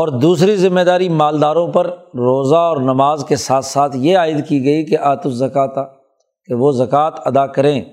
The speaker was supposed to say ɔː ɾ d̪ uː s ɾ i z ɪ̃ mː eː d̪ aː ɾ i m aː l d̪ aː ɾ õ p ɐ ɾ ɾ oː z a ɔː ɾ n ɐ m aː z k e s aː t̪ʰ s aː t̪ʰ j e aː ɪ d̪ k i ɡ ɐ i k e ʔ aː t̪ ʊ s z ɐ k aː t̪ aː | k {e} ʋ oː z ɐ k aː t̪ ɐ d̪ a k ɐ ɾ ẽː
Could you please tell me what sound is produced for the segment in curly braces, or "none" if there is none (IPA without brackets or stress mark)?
e